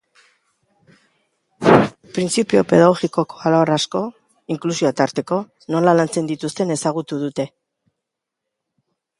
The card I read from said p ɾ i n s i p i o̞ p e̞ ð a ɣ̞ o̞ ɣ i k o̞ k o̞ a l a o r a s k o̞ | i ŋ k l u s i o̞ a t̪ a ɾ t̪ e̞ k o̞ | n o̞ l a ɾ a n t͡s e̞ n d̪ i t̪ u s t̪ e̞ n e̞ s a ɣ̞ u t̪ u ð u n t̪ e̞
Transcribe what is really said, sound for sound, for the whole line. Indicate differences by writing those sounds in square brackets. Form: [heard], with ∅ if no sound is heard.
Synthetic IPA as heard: p ɾ i n [t͡s] i p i o̞ p e̞ ð a ɣ̞ o̞ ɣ i k o̞ k o̞ a l a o r a s k o̞ | i ŋ k l u s i o̞ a t̪ a ɾ t̪ e̞ k o̞ | n o̞ l a [l] a n t͡s e̞ n d̪ i t̪ u s t̪ e̞ n e̞ s a ɣ̞ u t̪ u ð u [∅] t̪ e̞